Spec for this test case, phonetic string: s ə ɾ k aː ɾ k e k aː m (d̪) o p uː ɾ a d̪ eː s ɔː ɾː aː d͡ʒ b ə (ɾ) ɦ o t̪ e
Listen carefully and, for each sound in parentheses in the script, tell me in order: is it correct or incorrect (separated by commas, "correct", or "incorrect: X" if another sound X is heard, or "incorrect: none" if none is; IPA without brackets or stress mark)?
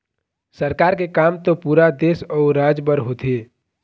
incorrect: t̪, correct